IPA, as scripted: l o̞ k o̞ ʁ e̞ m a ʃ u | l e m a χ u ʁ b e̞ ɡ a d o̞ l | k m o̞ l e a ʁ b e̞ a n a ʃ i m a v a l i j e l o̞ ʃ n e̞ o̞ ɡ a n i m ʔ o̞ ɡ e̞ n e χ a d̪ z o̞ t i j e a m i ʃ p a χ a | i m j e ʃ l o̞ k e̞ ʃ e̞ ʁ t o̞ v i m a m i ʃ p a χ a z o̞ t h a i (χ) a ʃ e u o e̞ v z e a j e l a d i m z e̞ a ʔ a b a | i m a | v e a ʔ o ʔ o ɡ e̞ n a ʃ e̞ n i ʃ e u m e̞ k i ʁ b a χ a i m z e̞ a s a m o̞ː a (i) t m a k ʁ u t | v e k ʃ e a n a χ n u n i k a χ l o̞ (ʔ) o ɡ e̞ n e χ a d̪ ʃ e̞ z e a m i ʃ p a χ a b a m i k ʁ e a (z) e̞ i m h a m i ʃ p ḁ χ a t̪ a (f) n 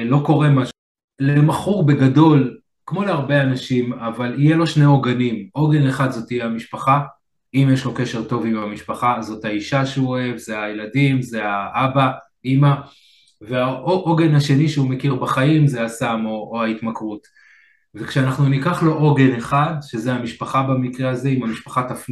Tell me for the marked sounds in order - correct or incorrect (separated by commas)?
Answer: incorrect, correct, correct, correct, correct